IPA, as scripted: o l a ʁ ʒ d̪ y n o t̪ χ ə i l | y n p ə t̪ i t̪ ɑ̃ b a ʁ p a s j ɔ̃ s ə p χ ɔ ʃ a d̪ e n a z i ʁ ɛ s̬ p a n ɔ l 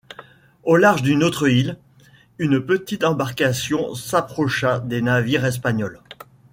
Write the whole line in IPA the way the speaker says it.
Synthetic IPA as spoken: o l a ʁ ʒ d̪ y n o t̪ χ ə i l | y n p ə t̪ i t̪ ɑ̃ b a ʁ k a s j ɔ̃ s a p χ ɔ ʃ a d̪ e n a v i ʁ ɛ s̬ p a ɲ ɔ l

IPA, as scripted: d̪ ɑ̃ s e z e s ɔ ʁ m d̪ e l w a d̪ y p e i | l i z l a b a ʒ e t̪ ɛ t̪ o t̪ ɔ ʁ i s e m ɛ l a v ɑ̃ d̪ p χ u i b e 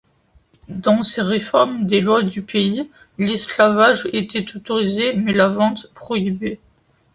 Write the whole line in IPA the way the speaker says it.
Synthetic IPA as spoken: d̪ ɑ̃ s e ʁ e f ɔ ʁ m d̪ e l w a d̪ y p e i | l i s l a v a ʒ e t̪ ɛ t̪ o t̪ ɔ ʁ i z e m ɛ l a v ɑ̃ t̪ p χ ɔ i b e

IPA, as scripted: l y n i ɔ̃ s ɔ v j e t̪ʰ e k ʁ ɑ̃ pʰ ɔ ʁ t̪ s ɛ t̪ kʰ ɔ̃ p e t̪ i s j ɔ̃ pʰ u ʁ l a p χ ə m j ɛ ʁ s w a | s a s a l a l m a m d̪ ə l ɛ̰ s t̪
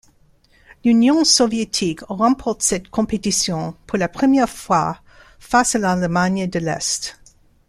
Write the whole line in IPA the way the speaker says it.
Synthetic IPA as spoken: l y n j ɔ̃ s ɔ v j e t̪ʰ i k ʁ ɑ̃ pʰ ɔ ʁ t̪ s ɛ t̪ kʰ ɔ̃ p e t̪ i s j ɔ̃ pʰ u ʁ l a p χ ə m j ɛ ʁ f w a | f a s a l a l m a ɲ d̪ ə l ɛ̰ s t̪

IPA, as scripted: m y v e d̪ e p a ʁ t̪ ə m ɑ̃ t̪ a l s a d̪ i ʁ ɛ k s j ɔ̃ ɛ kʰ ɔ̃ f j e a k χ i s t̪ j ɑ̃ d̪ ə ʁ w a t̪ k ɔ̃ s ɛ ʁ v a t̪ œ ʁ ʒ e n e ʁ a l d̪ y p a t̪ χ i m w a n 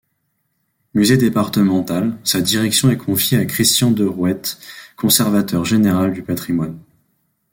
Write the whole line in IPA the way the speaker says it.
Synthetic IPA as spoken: m y z e d̪ e p a ʁ t̪ ə m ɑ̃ t̪ a l s a d̪ i ʁ ɛ k s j ɔ̃ ɛ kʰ ɔ̃ f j e a k χ i s t̪ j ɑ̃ d̪ ə ʁ w ɛ t̪ k ɔ̃ s ɛ ʁ v a t̪ œ ʁ ʒ e n e ʁ a l d̪ y p a t̪ χ i m w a n

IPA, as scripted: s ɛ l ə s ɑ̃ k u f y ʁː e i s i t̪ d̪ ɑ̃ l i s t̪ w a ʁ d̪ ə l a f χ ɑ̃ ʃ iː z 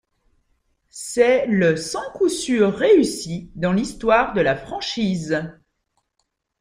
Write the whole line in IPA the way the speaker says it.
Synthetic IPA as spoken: s ɛ l ə s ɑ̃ k u s y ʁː e y s i d̪ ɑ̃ l i s t̪ w a ʁ d̪ ə l a f χ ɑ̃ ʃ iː z

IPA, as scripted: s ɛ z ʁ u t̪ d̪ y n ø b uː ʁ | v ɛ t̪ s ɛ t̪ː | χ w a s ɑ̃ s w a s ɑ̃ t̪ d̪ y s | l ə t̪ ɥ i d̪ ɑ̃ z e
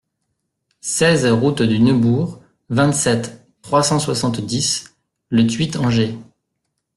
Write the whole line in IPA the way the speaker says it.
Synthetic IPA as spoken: s ɛ z ʁ u t̪ d̪ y n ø b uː ʁ | v ɛ̃ t̪ s ɛ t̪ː | χ w a s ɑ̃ s w a s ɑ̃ t̪ d̪ i s | l ə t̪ ɥ i t̪ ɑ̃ ʒ e

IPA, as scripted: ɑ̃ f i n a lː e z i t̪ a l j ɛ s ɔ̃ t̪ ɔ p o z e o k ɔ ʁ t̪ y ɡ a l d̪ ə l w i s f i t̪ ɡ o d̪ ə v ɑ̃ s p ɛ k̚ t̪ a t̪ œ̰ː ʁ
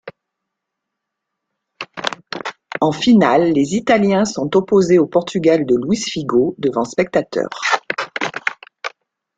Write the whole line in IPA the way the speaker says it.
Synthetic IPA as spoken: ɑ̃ f i n a lː e z i t̪ a l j ɛ̃ s ɔ̃ t̪ ɔ p o z e o p ɔ ʁ t̪ y ɡ a l d̪ ə l w i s f i ɡ o d̪ ə v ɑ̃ s p ɛ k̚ t̪ a t̪ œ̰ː ʁ

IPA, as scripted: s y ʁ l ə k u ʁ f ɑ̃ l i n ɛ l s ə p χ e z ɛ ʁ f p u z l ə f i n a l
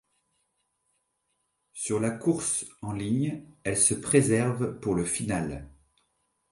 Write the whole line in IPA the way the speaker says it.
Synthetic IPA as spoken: s y ʁ l a k u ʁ s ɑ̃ l i ɲ ɛ l s ə p χ e z ɛ ʁ v p u ʁ l ə f i n a l

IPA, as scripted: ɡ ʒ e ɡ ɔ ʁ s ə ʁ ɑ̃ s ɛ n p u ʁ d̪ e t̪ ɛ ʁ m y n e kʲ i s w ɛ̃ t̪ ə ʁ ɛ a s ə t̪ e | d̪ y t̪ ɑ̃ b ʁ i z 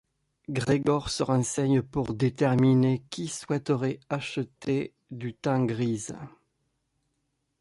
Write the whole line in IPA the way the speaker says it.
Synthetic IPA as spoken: ɡ ʁ e ɡ ɔ ʁ s ə ʁ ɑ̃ s ɛ ɲ p u ʁ d̪ e t̪ ɛ ʁ m i n e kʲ i s w ɛ t̪ ə ʁ ɛ a ʃ ə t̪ e | d̪ y t̪ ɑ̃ ɡ ʁ i z

